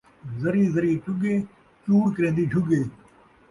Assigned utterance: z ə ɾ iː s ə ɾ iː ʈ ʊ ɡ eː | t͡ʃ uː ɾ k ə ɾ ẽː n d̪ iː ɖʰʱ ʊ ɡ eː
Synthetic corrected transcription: z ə ɾ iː z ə ɾ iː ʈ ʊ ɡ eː | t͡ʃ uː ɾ k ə ɾ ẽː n d̪ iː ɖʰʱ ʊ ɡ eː